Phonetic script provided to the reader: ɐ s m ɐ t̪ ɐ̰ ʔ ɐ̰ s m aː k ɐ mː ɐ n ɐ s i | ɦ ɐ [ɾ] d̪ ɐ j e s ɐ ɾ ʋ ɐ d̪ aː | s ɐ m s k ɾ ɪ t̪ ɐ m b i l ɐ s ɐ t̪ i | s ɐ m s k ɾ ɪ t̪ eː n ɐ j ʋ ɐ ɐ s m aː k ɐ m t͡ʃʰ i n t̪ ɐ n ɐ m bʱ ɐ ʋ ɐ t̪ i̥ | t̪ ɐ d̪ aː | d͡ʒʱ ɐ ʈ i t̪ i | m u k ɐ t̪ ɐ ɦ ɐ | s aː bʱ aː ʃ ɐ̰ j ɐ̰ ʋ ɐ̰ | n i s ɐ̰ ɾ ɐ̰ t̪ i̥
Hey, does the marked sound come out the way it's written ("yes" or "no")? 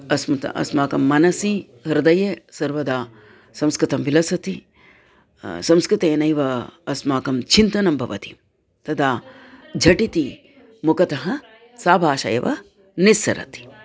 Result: yes